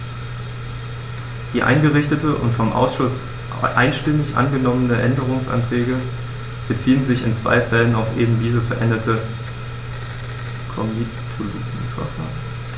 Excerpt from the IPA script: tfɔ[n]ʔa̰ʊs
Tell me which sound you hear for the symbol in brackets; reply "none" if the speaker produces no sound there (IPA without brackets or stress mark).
m